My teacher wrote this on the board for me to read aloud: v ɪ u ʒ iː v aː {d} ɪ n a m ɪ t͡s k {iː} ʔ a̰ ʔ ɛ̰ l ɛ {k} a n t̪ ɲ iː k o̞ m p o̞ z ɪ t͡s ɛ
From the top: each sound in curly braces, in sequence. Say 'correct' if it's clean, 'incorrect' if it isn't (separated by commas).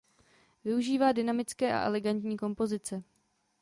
correct, incorrect, incorrect